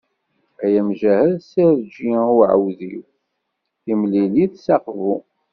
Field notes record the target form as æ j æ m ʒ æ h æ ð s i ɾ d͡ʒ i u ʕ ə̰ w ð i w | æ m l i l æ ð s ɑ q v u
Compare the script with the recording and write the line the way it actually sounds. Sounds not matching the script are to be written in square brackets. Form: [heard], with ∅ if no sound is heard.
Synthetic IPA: æ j æ m ʒ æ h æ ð s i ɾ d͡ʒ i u ʕ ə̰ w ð i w | [i] m l i l [i] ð s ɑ q v u